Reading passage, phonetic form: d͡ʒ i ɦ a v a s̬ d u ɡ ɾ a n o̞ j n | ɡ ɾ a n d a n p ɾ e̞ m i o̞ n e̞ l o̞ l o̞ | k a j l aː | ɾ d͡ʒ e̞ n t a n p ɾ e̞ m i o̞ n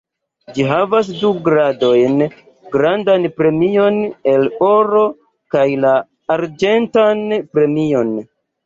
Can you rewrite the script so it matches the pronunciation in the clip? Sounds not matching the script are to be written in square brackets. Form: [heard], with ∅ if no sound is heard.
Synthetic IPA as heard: d͡ʒ i ɦ a v a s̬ d u ɡ ɾ a [d] o̞ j n | ɡ ɾ a n d a n p ɾ e̞ m i o̞ n e̞ l o̞ [ɾ] o̞ | k a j l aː | ɾ d͡ʒ e̞ n t a n p ɾ e̞ m i o̞ n

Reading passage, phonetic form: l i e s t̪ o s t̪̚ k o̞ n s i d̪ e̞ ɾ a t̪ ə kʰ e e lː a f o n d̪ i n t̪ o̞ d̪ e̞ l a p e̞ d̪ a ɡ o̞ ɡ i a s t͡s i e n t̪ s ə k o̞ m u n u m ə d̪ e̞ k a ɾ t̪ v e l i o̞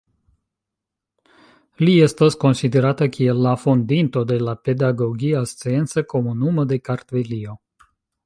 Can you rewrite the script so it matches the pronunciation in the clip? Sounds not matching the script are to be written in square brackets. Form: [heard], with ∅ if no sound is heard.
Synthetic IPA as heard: l i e s t̪ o s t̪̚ k o̞ n s i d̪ e̞ ɾ a t̪ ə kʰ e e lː a f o n d̪ i n t̪ o̞ d̪ e̞ l a p e̞ d̪ a ɡ o̞ ɡ i a s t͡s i e n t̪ s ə k o̞ m u n u m ə d̪ e̞ k a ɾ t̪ v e l i o̞

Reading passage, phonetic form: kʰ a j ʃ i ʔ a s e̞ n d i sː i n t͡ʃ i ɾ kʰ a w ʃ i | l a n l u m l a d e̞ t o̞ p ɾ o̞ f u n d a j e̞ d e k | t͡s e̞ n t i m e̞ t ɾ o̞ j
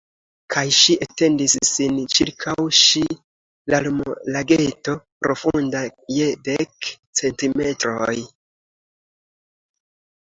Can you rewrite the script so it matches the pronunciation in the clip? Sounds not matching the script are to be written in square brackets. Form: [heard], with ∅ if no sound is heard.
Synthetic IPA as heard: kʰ a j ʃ i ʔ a [t] e̞ n d i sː i n t͡ʃ i ɾ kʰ a w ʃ i | l a [∅] l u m l a [ɡ] e̞ t o̞ p ɾ o̞ f u n d a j e̞ d e k | t͡s e̞ n t i m e̞ t ɾ o̞ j

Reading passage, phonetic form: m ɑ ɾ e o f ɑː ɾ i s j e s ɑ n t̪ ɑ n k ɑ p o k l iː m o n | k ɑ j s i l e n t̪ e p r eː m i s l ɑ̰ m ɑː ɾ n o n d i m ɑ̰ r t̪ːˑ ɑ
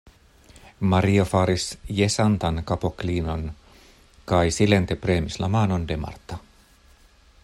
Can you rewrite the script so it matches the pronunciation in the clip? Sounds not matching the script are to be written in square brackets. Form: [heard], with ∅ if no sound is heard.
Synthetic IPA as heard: m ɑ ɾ [i] o f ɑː ɾ i s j e s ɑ n t̪ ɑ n k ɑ p o k l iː [n] o n | k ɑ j s i l e n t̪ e p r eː m i s l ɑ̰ m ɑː [∅] n o n d [e] m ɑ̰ r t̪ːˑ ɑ

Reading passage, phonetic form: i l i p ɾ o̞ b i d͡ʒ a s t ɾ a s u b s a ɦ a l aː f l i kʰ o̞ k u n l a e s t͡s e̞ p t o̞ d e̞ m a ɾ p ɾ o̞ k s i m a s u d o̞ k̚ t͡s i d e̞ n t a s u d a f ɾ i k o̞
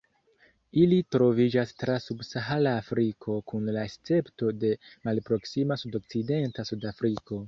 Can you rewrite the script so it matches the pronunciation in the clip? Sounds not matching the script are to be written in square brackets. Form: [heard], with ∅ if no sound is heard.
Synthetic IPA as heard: i l i [t] ɾ o̞ [v] i d͡ʒ a s t ɾ a s u b s a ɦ a l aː f [ɾ] i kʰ o̞ k u n l a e s t͡s e̞ p t o̞ d e̞ m a [l] p ɾ o̞ k s i m a s u d o̞ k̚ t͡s i d e̞ n t a s u d a f ɾ i k o̞

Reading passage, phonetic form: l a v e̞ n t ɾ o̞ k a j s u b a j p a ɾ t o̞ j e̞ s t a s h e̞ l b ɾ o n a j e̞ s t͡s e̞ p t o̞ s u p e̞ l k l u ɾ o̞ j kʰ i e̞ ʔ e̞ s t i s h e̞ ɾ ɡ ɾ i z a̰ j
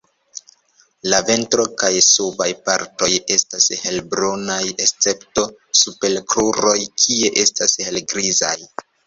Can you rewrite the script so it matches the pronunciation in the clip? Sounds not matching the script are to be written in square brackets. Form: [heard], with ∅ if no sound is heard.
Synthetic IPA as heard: l a v e̞ n t ɾ o̞ k a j s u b a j p a ɾ t o̞ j e̞ s t a s h e̞ l b ɾ o n a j e̞ s t͡s e̞ p t o̞ s u p e̞ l k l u ɾ o̞ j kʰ i e̞ ʔ e̞ s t [a] s h e̞ [l] ɡ ɾ i z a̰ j

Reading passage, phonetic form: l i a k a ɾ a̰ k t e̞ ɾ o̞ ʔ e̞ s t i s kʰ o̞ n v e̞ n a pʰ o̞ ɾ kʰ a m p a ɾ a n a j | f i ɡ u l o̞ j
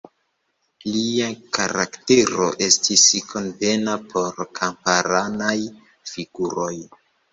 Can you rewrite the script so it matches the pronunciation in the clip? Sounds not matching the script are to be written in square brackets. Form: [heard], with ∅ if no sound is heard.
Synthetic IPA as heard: l i a k a ɾ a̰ k t e̞ ɾ o̞ ʔ e̞ s t i s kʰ o̞ n v e̞ n a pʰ o̞ ɾ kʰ a m p a ɾ a n a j | f i ɡ u [ɾ] o̞ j

